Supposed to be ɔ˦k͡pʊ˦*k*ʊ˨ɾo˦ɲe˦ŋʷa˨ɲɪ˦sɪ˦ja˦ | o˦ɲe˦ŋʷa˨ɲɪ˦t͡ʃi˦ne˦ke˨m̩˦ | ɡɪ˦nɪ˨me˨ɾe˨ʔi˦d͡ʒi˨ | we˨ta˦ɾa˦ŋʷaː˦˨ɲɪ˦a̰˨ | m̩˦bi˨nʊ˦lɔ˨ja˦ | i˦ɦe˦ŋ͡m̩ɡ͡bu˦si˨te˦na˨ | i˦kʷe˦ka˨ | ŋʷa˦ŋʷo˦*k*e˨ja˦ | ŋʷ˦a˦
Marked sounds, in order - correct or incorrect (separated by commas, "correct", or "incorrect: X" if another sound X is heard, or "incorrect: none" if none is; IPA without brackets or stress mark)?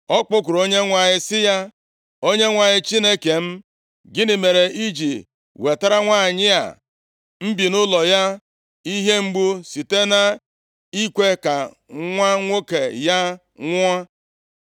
correct, correct